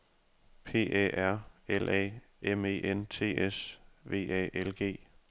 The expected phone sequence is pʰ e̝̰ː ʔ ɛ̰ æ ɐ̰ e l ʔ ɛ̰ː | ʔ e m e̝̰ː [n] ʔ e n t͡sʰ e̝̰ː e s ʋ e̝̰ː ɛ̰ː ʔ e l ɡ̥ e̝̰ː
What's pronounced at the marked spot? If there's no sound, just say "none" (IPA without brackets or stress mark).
none